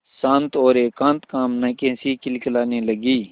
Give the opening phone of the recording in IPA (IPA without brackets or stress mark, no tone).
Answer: s